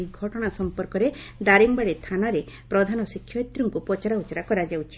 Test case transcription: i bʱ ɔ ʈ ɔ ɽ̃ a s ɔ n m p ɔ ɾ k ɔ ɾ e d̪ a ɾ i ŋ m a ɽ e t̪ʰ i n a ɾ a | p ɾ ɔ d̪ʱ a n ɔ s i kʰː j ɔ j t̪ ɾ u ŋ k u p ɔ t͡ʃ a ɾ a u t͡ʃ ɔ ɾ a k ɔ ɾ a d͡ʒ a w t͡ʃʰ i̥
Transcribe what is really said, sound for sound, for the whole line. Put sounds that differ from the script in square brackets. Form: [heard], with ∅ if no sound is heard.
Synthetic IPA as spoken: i [ɡʱ] ɔ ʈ ɔ ɽ̃ a s ɔ [∅] m p ɔ ɾ k ɔ ɾ e d̪ a ɾ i ŋ [b] a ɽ e t̪ʰ [a] n a ɾ [e] | p ɾ ɔ d̪ʱ a n ɔ s i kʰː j ɔ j t̪ ɾ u ŋ k u p ɔ t͡ʃ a ɾ a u t͡ʃ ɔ ɾ a k ɔ ɾ a d͡ʒ a w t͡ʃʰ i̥